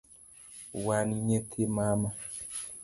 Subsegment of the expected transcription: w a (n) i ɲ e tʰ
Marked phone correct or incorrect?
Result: correct